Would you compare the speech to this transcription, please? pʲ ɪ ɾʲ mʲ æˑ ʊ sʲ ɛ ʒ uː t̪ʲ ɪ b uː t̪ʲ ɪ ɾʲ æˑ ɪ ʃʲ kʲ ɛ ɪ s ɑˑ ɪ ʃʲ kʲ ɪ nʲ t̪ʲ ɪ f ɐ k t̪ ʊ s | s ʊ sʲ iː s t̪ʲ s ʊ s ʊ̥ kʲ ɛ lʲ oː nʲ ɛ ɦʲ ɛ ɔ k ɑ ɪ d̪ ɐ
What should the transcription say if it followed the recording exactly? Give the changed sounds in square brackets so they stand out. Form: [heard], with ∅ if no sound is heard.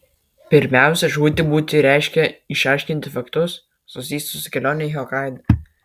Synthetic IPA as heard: pʲ ɪ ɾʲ mʲ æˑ ʊ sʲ ɛ ʒ uː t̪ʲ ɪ b uː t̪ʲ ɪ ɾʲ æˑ ɪ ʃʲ kʲ ɛ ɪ [ʃ] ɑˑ ɪ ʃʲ kʲ ɪ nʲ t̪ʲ ɪ f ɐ k t̪ ʊ s | s ʊ sʲ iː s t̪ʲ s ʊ s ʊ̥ kʲ ɛ lʲ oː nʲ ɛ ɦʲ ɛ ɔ k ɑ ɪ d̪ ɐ